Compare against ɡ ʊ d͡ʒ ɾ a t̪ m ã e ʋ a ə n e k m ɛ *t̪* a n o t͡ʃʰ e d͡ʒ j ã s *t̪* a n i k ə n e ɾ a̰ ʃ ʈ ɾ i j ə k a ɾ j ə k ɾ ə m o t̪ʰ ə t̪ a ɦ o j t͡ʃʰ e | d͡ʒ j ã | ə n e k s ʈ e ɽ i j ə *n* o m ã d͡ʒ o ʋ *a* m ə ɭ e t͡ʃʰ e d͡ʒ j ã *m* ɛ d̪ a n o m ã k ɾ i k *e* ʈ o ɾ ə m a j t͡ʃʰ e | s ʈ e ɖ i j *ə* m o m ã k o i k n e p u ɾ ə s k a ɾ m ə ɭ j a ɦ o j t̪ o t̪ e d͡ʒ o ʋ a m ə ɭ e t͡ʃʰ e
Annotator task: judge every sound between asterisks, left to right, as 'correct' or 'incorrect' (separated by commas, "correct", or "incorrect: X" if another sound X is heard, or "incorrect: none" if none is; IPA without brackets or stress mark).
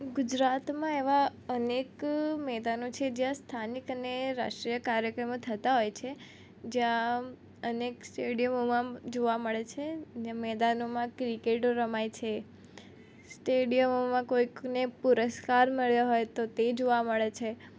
incorrect: d̪, incorrect: t̪ʰ, incorrect: m, correct, correct, correct, correct